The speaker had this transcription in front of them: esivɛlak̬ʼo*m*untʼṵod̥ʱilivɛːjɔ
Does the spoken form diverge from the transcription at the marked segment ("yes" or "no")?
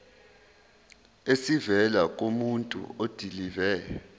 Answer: no